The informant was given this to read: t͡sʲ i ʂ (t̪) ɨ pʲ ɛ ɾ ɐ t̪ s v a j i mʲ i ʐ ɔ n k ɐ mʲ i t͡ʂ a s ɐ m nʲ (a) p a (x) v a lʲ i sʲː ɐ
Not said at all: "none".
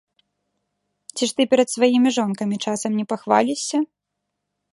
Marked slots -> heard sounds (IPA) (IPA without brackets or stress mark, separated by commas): t̪, ɛ, x